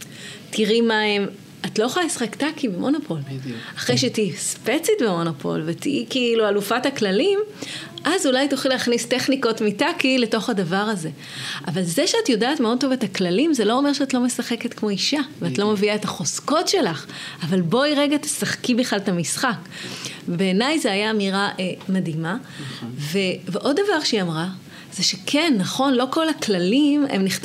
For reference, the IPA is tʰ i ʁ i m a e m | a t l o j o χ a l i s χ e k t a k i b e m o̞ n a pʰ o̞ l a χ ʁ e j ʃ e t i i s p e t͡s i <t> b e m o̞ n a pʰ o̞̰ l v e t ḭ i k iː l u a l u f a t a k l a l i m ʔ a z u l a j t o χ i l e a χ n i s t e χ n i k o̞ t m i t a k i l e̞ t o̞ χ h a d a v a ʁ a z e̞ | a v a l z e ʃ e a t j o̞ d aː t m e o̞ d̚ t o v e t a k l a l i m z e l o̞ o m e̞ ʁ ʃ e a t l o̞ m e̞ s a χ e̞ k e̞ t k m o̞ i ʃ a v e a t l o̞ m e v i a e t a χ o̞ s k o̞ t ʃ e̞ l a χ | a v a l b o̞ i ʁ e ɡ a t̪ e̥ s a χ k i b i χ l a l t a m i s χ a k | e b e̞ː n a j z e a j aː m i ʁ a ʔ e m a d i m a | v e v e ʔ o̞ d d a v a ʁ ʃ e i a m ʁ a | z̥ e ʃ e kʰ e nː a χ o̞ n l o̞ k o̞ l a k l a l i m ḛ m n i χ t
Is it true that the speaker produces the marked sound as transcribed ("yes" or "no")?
yes